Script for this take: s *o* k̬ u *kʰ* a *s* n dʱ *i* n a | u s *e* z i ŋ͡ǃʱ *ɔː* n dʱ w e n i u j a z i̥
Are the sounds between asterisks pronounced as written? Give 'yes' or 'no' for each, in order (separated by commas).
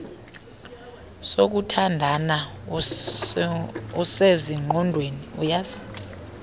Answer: yes, no, no, no, yes, no